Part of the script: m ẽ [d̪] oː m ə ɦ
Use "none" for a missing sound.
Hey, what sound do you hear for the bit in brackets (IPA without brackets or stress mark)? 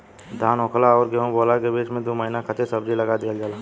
d̪